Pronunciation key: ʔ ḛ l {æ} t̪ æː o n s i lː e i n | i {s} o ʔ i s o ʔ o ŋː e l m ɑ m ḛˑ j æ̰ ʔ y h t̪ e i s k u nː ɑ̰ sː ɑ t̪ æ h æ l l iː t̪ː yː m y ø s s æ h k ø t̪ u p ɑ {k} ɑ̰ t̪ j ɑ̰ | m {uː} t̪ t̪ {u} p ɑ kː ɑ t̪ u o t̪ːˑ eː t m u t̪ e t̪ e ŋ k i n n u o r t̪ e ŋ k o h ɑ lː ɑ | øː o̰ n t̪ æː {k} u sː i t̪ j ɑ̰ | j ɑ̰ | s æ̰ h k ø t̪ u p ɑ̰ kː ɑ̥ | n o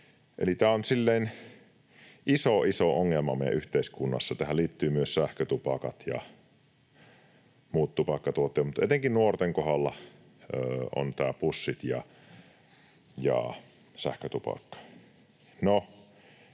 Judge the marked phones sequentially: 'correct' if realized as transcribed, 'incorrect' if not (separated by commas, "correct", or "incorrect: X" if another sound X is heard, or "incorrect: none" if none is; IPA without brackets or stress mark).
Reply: incorrect: i, correct, correct, correct, correct, incorrect: p